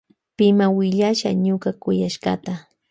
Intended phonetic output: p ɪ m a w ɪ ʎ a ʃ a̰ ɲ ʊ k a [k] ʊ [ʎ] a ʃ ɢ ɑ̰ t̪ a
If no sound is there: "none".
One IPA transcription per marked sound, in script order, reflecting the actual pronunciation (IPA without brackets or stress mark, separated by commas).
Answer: k, j